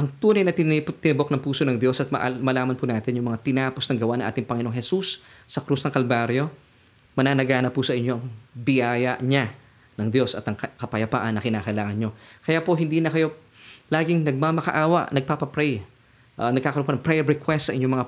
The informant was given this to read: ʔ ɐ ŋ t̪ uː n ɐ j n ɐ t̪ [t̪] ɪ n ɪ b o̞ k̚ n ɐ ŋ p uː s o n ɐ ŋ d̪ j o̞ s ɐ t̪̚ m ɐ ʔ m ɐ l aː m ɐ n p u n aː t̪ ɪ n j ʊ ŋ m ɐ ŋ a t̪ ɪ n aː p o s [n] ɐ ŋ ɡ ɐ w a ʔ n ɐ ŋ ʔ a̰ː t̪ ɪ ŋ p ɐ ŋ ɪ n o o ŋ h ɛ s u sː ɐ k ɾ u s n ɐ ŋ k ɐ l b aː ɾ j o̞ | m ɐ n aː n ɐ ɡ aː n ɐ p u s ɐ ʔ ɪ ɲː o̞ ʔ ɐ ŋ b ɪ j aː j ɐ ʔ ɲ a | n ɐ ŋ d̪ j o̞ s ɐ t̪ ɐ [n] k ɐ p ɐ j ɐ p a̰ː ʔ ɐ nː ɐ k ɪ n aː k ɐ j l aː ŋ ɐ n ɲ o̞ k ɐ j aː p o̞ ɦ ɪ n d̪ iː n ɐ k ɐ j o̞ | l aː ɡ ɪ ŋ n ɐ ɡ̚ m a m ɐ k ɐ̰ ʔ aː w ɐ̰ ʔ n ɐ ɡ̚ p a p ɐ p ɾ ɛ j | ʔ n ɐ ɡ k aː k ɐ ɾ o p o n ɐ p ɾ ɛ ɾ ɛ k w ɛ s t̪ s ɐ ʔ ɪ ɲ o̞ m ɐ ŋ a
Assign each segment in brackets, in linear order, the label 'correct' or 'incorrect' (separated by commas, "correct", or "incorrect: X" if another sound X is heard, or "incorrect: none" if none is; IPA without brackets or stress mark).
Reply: correct, correct, incorrect: ŋ